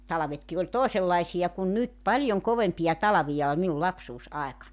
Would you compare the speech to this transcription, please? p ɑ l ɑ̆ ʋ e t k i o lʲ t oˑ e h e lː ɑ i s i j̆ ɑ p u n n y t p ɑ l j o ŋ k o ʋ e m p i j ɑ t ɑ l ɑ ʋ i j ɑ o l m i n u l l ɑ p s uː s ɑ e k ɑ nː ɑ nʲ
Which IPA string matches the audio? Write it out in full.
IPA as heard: t ɑ l ɑ̆ ʋ e t k i o lʲ t oˑ e s e lː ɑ i s i j̆ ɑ k u n n y t p ɑ l j o ŋ k o ʋ e m p i j ɑ t ɑ l ɑ ʋ i j ɑ o l m i n u l l ɑ p s uː s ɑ e k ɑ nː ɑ nʲ